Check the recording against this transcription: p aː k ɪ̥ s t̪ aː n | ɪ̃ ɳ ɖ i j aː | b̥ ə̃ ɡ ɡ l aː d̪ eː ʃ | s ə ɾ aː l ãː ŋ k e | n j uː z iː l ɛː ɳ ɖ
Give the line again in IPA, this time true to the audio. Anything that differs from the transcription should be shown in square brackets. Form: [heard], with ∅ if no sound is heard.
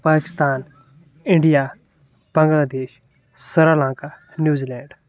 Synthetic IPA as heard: p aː k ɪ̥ s t̪ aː n | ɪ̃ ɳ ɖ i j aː | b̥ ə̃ [ŋ] ɡ l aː d̪ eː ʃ | s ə ɾ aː l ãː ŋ k [a] | n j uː z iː l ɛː ɳ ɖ